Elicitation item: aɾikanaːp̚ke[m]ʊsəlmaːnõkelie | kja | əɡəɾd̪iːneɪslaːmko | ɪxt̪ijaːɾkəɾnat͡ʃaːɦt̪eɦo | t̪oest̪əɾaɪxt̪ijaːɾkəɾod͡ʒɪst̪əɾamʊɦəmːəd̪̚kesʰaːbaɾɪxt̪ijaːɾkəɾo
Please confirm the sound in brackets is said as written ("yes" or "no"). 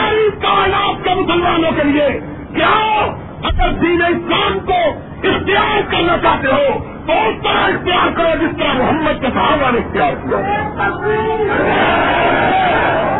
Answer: yes